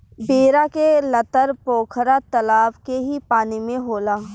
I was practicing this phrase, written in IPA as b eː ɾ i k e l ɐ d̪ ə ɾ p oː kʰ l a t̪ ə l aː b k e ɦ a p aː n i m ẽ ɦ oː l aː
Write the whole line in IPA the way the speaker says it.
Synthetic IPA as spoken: b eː ɾ a k e l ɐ t̪ ə ɾ p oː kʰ ɾ a t̪ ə l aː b k e ɦ i p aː n i m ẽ ɦ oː l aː